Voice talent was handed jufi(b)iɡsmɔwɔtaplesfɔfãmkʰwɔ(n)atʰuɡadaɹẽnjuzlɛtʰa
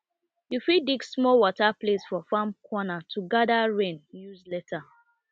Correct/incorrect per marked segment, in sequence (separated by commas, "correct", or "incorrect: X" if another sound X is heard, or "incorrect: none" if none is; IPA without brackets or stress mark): incorrect: d, correct